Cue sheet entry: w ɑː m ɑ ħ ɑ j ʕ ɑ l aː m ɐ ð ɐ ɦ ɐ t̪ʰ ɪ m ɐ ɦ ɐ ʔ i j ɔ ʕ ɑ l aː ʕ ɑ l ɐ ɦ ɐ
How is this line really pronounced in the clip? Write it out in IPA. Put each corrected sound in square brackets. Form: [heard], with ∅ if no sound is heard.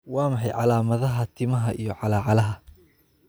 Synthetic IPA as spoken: w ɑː m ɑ ħ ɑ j ʕ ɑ l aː m ɐ ð ɐ ɦ ɐ t̪ʰ ɪ m ɐ ɦ ɐ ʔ i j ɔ ʕ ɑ l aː ʕ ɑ l ɐ ɦ ɐ